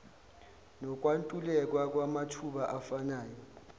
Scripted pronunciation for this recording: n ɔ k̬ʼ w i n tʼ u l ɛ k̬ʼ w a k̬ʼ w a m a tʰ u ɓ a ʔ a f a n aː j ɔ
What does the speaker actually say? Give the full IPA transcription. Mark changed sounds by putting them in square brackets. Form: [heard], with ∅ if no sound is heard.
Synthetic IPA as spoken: n ɔ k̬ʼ w [a] n tʼ u l ɛ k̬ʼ w a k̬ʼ w a m a tʰ u ɓ a ʔ a f a n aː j ɔ